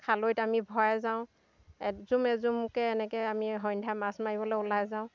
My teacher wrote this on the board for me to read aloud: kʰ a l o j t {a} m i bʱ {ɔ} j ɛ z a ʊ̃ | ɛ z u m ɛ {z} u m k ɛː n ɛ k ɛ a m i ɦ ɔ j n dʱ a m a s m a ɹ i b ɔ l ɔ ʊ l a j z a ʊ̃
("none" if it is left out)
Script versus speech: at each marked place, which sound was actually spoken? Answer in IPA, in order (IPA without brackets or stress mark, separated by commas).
a, ɔ, z